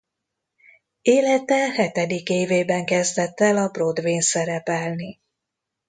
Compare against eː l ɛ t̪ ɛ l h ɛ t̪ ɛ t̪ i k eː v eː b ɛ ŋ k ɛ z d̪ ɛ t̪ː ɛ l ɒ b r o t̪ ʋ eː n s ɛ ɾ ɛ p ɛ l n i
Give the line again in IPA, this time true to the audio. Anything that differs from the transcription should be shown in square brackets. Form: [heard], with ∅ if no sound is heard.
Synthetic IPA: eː l ɛ t̪ ɛ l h ɛ t̪ ɛ [d̪] i k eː v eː b ɛ ŋ k ɛ z d̪ ɛ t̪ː ɛ l ɒ b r o [d̪] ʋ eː n s ɛ ɾ ɛ p ɛ l n i

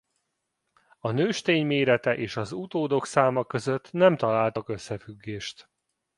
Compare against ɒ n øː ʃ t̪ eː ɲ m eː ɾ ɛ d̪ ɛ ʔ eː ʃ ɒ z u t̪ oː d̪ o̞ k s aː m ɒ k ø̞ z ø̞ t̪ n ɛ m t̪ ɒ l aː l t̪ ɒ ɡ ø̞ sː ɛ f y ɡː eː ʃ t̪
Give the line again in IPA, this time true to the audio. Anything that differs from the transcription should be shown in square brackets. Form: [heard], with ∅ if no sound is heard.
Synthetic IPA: ɒ n øː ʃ t̪ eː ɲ m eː ɾ ɛ [t̪] ɛ ʔ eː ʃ ɒ z u t̪ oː d̪ o̞ k s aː m ɒ k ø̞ z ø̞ t̪ n ɛ m t̪ ɒ l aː l t̪ ɒ [k] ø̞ sː ɛ f y ɡː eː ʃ t̪

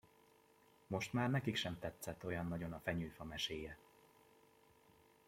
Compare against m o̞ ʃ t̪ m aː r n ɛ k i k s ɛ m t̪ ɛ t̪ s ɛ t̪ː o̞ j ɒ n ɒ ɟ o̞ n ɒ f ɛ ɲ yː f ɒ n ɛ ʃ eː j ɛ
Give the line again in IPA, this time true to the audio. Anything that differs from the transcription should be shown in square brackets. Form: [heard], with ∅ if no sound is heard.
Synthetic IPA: m o̞ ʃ t̪ m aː r n ɛ k i k [ʃ] ɛ m t̪ ɛ t̪ s ɛ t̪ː o̞ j ɒ [nː] ɒ ɟ o̞ n ɒ f ɛ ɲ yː f ɒ [m] ɛ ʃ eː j ɛ

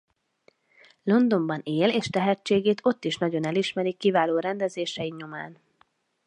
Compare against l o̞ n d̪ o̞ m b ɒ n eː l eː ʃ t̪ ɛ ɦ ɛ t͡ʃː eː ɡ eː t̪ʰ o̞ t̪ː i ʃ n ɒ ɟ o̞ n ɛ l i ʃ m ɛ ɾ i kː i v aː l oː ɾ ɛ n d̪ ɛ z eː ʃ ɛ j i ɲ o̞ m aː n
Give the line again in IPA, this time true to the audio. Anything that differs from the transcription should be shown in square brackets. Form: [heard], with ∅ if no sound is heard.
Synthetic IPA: l o̞ n d̪ o̞ m b ɒ n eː l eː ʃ t̪ ɛ ɦ ɛ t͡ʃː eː ɡ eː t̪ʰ o̞ t̪ː i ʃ n ɒ ɟ o̞ n ɛ l i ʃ m ɛ ɾ i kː i v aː l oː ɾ ɛ n d̪ ɛ z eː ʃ ɛ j i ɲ o̞ m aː n

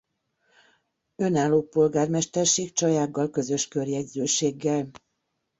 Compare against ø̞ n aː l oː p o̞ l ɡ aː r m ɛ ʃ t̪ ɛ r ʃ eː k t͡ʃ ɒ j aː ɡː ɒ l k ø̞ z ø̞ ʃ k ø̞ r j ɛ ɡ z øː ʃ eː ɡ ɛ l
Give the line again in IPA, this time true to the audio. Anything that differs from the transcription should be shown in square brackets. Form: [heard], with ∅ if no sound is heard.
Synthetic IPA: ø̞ n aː l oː p o̞ l ɡ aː r m ɛ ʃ t̪ ɛ r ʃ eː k t͡ʃ ɒ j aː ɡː ɒ l k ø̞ z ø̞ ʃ k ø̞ r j ɛ [ɟ] z øː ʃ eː [ɡː] ɛ l

